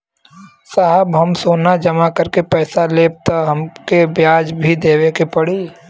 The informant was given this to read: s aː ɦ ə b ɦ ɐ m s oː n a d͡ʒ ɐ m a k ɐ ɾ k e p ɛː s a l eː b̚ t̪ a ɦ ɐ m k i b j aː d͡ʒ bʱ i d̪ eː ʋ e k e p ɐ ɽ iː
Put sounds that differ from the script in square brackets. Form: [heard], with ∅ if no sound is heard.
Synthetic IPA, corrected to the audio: s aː ɦ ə b ɦ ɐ m s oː n a d͡ʒ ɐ m a k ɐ ɾ k e p ɛː s a l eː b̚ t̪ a ɦ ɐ m k [e] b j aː d͡ʒ bʱ i d̪ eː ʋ e k e p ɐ ɽ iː